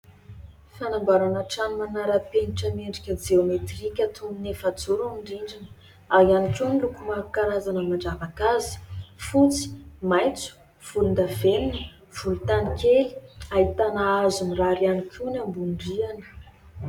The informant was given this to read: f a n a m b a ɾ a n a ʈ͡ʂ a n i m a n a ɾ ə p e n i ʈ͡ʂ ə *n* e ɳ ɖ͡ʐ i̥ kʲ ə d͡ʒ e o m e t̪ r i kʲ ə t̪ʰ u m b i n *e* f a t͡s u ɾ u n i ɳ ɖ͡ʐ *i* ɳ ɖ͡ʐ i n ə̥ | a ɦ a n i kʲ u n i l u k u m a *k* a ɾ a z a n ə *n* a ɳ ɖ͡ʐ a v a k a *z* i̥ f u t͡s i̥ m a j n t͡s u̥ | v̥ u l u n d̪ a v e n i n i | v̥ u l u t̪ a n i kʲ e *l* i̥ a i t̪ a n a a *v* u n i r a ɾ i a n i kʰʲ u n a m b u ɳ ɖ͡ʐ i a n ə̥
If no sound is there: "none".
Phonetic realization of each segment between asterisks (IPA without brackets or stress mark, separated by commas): m, e, i, k, m, z, l, z